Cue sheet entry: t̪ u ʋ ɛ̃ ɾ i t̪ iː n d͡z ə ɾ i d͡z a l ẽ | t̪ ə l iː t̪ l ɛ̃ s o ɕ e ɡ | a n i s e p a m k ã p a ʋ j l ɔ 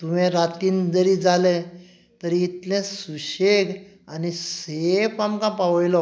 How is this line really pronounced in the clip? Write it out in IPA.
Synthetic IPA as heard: t̪ u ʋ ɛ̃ ɾ a t̪ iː n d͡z ə ɾ i d͡z a l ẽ | t̪ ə ɾ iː t̪ l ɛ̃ s u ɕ e ɡ | a n i s e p a m k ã p a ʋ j l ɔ

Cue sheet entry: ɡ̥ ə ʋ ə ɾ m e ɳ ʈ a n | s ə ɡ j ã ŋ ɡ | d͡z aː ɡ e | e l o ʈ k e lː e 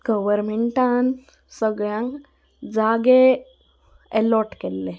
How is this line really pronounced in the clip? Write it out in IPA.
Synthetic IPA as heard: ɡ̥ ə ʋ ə ɾ m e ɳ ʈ a n | s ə ɡ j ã ŋ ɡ | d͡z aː ɡ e | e l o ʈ k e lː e

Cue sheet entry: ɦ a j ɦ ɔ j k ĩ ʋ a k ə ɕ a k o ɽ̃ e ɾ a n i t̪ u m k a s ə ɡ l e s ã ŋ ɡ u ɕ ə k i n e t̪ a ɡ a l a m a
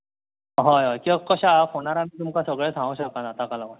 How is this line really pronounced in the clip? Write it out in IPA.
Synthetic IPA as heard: ɦ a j ɦ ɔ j k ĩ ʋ a k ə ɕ a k o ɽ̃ a ɾ a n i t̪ u m k a s ə ɡ ɭ e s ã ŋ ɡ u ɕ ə k a n a t̪ a k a l a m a

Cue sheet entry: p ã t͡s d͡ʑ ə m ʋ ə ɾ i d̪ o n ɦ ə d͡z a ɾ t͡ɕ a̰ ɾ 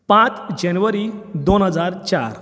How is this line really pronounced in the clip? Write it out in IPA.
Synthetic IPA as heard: p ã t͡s d͡ʑ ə n ʋ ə ɾ i d̪ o n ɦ ə d͡z a ɾ t͡ɕ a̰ ɾ

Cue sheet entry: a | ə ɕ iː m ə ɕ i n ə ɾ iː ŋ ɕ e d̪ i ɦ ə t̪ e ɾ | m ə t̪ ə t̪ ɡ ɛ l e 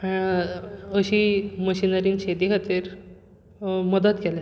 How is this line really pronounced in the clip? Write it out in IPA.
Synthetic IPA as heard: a | ə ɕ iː m ə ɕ i n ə ɾ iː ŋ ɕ e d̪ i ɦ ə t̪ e ɾ | m ə d̪ ə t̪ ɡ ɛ l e

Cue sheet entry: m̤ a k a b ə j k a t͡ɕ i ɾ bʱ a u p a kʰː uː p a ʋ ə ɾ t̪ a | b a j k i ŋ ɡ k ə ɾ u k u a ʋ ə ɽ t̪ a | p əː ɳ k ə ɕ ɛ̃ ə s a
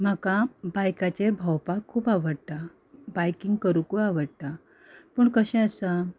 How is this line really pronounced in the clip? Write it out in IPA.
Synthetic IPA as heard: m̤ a k a b a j k a t͡ɕ e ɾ bʱ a w p a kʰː uː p a ʋ ə ɽ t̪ a | b a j k i ŋ ɡ k ə ɾ u k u a ʋ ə ɽ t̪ a | p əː ɳ k ə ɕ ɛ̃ ə s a

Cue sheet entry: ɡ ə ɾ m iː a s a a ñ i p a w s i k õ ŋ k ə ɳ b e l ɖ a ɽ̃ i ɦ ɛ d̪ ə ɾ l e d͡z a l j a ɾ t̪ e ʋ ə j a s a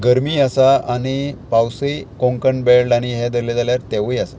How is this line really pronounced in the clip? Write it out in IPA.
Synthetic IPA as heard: ɡ ə ɾ m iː a s a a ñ i p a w s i k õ ŋ k ə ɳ b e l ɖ a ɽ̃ i ɦ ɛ d̪ ə ɾ l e d͡z a l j a ɾ t̪ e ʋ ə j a s a

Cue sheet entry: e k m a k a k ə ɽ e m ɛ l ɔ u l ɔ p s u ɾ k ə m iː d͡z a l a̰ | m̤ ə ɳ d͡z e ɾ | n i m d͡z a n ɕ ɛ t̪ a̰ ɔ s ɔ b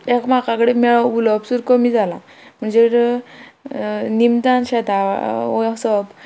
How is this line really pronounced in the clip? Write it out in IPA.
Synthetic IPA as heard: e k m a k a k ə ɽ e m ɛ ɭ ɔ u l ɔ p s u ɾ k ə m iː d͡z a l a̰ | m̤ ə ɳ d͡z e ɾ | n i m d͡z a n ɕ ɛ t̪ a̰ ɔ s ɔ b

